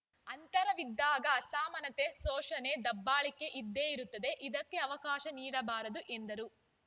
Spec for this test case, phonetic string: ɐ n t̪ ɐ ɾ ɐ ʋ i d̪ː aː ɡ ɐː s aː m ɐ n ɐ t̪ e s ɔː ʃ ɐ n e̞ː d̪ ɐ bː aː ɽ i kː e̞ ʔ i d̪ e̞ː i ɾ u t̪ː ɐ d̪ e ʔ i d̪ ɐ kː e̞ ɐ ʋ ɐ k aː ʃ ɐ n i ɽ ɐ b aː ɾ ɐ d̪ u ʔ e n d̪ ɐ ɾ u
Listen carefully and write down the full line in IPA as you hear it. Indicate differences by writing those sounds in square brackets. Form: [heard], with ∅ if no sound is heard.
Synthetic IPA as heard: ɐ n t̪ ɐ ɾ ɐ ʋ i d̪ː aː ɡ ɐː s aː m ɐ n ɐ t̪ e s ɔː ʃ ɐ n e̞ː d̪ ɐ bː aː [ɭ] i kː e̞ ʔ i [d̪ː] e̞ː i ɾ u t̪ː ɐ d̪ e ʔ i d̪ ɐ kː e̞ ɐ ʋ ɐ k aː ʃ ɐ n [iː] ɽ ɐ b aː ɾ ɐ d̪ u ʔ e n d̪ ɐ ɾ u